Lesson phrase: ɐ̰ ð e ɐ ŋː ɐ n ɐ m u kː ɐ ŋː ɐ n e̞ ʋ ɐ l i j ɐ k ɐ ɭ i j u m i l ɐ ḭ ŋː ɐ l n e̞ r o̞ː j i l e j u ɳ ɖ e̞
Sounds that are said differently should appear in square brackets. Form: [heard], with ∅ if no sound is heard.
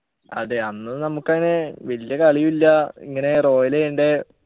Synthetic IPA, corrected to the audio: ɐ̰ ð e ɐ [nː] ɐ n ɐ m u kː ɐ ŋː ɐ n e̞ ʋ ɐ l i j ɐ k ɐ ɭ i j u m i [lː] ɐ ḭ ŋː ɐ [∅] n e̞ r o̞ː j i l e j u ɳ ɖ e̞